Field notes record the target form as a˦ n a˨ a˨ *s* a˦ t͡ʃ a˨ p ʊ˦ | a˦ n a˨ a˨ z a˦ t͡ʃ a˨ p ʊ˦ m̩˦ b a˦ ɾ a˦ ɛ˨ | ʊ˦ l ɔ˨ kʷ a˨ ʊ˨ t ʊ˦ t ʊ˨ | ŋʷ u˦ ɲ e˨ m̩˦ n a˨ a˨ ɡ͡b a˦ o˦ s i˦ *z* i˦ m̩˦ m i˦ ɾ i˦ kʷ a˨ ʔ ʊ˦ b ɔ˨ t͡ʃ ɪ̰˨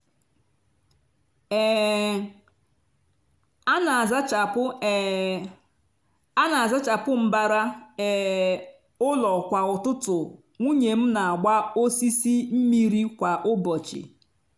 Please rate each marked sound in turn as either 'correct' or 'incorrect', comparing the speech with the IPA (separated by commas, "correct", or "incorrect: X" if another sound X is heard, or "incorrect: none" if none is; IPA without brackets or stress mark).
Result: incorrect: z, incorrect: s